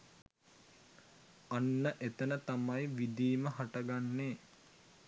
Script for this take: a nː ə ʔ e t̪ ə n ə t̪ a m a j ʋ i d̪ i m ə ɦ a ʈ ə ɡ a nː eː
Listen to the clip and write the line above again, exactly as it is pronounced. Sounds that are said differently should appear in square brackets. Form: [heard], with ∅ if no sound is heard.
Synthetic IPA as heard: a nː ə ʔ e t̪ ə n ə t̪ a m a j ʋ i d̪ [iː] m ə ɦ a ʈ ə ɡ a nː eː